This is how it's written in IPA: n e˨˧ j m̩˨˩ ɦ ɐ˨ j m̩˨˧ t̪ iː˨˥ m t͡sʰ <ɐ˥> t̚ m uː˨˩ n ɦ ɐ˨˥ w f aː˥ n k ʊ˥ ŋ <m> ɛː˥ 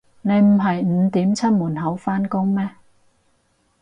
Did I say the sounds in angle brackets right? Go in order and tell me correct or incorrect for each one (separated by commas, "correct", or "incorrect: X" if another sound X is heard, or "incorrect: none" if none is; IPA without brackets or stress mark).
correct, correct